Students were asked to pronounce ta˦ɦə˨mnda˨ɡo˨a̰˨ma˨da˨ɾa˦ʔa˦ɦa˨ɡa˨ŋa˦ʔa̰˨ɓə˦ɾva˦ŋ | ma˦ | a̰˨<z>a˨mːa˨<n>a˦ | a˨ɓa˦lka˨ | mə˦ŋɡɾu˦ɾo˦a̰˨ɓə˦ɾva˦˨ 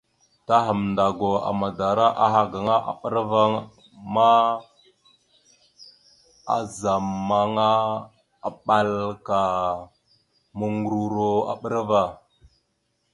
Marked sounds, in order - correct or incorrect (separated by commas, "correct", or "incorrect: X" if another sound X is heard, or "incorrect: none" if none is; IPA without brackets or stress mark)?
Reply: correct, incorrect: ŋ